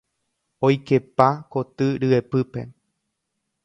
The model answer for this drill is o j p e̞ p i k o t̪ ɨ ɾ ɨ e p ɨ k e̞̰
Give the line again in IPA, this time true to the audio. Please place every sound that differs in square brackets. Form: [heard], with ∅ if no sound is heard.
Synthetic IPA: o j [k] e̞ p [a] k o t̪ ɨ ɾ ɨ e p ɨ [p] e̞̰